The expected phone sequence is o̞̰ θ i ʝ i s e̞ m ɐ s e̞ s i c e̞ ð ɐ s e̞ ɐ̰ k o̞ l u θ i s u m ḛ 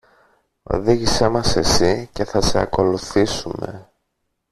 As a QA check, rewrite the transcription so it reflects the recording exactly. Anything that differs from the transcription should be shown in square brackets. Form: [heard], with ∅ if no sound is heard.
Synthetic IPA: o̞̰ [ð] i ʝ i s e̞ m ɐ s e̞ s i c e̞ [θ] ɐ s e̞ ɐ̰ k o̞ l u θ i s u m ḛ